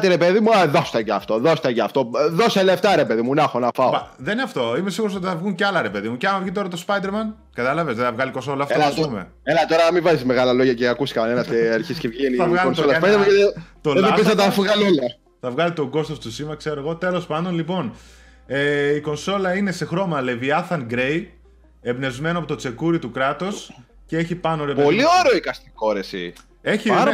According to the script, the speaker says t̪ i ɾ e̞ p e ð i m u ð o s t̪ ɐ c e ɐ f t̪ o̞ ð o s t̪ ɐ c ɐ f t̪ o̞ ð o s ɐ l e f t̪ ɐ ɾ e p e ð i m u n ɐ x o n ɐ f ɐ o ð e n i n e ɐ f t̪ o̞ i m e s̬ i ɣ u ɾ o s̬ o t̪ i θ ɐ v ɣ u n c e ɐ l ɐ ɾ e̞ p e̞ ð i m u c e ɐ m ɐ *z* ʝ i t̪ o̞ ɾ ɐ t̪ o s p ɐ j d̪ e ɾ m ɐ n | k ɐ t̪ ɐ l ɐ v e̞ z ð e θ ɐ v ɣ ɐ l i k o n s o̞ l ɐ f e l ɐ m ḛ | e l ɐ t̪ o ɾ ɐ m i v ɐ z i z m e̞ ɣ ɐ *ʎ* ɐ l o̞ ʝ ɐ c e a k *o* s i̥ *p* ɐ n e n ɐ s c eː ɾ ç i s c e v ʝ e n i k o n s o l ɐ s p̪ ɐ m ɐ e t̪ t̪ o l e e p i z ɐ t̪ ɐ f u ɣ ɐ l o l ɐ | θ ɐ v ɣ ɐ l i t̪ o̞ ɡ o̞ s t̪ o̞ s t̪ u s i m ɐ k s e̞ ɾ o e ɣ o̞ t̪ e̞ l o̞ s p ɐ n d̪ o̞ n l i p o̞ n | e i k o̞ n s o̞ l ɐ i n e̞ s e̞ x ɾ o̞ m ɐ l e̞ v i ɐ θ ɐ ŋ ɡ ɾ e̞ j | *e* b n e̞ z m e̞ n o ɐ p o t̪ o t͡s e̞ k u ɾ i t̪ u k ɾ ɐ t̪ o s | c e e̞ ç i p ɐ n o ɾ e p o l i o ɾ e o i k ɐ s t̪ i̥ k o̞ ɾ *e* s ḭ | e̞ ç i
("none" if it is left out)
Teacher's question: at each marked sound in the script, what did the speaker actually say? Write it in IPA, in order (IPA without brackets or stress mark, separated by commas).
v, l, u, k, e, e